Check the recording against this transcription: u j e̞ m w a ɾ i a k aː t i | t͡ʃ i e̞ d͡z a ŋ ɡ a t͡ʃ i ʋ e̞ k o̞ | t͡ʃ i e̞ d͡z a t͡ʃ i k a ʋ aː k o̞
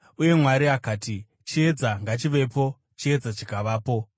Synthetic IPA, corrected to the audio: u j e̞ m w a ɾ i a k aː t i | t͡ʃ i e̞ d͡z a ŋ ɡ a t͡ʃ i ʋ e̞ p o̞ | t͡ʃ i e̞ d͡z a t͡ʃ i k a ʋ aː p o̞